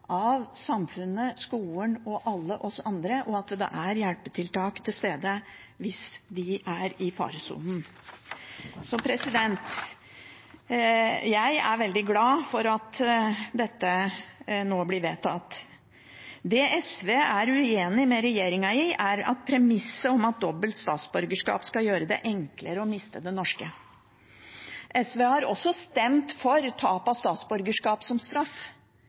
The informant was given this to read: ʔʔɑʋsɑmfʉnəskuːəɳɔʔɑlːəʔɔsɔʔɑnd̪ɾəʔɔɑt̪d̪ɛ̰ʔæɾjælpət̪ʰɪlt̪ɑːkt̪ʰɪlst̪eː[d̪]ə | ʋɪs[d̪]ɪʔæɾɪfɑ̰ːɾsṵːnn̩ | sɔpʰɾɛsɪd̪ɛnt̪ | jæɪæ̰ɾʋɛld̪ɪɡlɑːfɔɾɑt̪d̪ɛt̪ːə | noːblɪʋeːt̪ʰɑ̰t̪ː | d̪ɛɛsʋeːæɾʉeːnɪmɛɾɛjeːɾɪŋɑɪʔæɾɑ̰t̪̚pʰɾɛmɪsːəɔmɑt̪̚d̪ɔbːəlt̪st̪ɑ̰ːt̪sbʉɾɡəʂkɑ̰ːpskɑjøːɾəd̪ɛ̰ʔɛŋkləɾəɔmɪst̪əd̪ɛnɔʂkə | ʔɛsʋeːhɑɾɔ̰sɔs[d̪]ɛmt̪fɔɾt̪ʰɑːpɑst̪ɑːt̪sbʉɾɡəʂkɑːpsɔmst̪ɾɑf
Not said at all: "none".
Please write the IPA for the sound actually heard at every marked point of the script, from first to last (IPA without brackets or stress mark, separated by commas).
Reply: d̪, d̪, t̪